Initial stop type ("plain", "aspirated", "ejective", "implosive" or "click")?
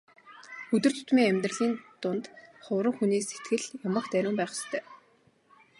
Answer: plain